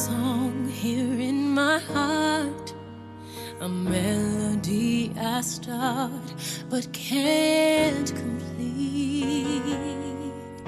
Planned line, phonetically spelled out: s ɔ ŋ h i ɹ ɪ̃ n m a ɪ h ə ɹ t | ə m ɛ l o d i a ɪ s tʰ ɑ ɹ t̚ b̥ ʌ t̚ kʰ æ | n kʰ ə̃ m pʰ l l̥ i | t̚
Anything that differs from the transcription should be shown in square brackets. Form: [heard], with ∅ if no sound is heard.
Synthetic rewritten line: s ɔ ŋ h i ɹ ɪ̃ n m a ɪ h [ɑ] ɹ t | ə m ɛ l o d i a ɪ s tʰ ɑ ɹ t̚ b̥ ʌ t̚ kʰ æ | n kʰ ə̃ m pʰ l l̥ i | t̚